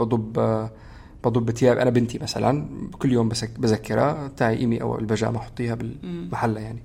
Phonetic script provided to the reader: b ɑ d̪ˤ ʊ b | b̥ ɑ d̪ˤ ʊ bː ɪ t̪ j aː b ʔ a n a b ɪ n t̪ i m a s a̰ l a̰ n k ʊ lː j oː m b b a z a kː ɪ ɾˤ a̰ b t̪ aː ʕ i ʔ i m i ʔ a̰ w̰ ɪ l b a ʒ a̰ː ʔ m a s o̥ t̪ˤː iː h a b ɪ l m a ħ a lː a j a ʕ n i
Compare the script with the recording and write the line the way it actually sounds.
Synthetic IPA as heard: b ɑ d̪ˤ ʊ b | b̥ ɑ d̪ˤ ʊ bː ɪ t̪ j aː b ʔ a n a b ɪ n t̪ i m a s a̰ l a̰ n k ʊ lː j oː m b b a z a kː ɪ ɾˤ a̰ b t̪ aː ʕ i ʔ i m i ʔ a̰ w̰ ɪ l b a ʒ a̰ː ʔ m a ħ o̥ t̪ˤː iː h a b ɪ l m a ħ a lː a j a ʕ n i